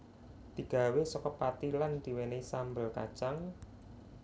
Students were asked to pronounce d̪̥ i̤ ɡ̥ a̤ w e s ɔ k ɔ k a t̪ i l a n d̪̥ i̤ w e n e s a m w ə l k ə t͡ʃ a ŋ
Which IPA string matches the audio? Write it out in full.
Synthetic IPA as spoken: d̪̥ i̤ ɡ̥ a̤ w e s ɔ k ɔ p a t̪ i l a n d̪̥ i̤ w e n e s a m b ə l k a t͡ʃ a ŋ